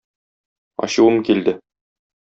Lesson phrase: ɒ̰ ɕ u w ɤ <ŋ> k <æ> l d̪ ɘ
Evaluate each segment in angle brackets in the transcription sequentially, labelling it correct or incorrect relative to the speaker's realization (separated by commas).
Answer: incorrect, incorrect